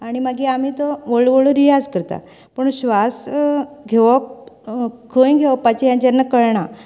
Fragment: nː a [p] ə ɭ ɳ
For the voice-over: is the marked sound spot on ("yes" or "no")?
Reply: no